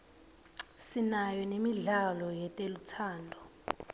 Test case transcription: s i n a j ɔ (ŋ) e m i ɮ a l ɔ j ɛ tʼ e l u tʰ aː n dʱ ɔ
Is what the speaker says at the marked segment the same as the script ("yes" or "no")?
no